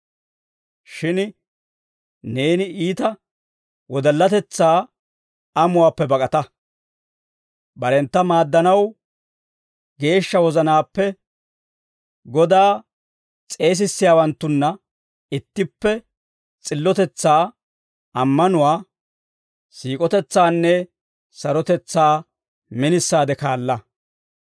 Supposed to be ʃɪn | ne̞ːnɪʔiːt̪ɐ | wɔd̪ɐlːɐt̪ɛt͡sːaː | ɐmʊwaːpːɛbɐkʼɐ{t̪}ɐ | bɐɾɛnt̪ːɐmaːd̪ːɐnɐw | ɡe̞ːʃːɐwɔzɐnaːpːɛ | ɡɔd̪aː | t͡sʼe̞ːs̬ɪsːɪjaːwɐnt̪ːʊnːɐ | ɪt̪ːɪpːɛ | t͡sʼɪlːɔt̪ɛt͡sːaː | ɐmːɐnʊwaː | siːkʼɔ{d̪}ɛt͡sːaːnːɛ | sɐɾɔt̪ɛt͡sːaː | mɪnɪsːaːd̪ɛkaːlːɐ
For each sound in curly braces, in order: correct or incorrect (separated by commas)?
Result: correct, incorrect